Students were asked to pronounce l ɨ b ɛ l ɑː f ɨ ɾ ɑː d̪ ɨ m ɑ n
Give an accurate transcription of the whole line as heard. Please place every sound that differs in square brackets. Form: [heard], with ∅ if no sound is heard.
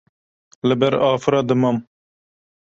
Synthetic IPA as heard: l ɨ b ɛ [ɾ] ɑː f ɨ ɾ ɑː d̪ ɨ m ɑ [m]

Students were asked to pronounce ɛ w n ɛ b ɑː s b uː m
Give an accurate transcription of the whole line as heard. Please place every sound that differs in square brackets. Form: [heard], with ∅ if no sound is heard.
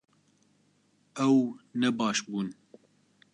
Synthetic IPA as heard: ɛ w n ɛ b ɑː [ʃ] b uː [n]

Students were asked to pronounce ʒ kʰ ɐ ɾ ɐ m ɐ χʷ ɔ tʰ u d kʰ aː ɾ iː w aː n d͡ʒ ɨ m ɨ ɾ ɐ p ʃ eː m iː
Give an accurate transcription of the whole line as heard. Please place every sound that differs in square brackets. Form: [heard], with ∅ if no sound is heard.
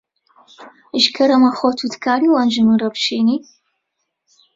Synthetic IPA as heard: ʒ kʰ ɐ ɾ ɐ m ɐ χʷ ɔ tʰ u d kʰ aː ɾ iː w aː n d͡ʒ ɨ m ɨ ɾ ɐ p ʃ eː [n] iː

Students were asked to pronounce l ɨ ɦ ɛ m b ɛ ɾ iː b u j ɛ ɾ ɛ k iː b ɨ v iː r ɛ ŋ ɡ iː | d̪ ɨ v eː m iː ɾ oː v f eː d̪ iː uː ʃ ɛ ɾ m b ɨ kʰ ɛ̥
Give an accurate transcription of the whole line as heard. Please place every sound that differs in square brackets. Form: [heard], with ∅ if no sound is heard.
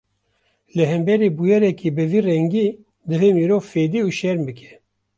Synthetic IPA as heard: l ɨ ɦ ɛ m b ɛ ɾ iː b u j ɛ ɾ ɛ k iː b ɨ v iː r ɛ ŋ ɡ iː | d̪ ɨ v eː m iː ɾ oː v f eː d̪ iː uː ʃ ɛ ɾ m b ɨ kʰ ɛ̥

